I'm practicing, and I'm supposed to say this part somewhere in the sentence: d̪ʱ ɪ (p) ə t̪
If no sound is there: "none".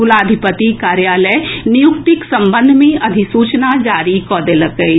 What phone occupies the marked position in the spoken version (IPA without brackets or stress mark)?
p